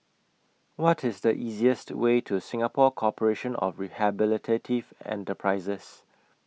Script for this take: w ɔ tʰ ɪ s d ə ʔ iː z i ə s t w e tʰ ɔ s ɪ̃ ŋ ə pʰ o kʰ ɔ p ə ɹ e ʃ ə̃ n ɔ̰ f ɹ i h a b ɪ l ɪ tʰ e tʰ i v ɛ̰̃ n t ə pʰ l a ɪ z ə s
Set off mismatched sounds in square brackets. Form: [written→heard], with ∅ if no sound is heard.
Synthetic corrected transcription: w ɔ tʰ ɪ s d ə ʔ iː z i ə s t w e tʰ [ɔ→u] s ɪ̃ ŋ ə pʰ [o→ɔ] kʰ ɔ p ə ɹ e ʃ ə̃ n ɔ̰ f ɹ i h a b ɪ l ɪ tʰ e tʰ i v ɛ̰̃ n t ə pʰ [l→ɹ] a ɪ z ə s

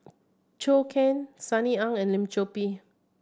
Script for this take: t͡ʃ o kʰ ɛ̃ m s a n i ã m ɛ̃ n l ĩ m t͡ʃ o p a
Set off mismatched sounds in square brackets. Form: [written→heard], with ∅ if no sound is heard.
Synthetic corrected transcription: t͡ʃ o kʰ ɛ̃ [m→n] s a n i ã [m→ŋ] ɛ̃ n l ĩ m t͡ʃ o p [a→i]

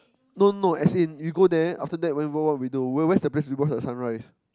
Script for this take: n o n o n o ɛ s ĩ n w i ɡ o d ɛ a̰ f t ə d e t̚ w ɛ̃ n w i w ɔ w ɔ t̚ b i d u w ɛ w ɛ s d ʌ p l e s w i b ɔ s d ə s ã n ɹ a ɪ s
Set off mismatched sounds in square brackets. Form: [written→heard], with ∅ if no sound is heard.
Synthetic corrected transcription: n o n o n o ɛ s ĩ n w i ɡ o d ɛ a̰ f t ə d [e→ɛ] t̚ w ɛ̃ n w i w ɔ w ɔ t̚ [b→w] i d u w ɛ w ɛ s d [ʌ→ə] p l e s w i b ɔ s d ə s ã n ɹ a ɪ s

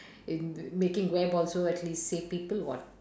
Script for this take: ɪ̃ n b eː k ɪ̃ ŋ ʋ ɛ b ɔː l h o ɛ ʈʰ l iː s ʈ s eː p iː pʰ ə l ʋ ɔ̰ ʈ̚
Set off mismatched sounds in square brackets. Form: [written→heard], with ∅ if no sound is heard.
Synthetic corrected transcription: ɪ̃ n [b→m] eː k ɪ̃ ŋ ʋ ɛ b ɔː l [h→s] o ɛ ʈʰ l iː s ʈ s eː p iː [pʰ→p] ə l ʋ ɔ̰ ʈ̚

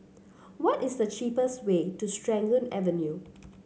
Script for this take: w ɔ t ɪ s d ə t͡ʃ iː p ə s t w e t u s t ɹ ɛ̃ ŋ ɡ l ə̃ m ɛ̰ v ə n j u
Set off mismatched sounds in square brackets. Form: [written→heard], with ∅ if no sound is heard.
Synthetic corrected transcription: w ɔ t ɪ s d ə t͡ʃ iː p ə s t w e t u s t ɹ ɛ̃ ŋ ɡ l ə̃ [m→n] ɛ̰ v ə n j u

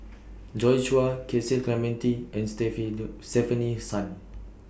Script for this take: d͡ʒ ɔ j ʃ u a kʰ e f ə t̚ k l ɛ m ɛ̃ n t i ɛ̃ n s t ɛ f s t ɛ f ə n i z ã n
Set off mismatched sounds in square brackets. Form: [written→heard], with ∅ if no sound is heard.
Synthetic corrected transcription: d͡ʒ ɔ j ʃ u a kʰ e [f→s] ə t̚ k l ɛ m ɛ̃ n t i ɛ̃ n s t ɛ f s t ɛ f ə n i [z→s] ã n

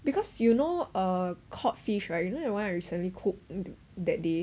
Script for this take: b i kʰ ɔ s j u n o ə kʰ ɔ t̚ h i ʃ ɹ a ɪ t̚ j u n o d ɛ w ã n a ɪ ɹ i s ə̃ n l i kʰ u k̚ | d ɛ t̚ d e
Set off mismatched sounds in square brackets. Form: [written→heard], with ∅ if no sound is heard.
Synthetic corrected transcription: b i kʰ ɔ s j u n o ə kʰ ɔ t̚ [h→f] i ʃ ɹ a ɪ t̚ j u n o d ɛ w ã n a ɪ ɹ i s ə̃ n l i kʰ u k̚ | d ɛ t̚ d e

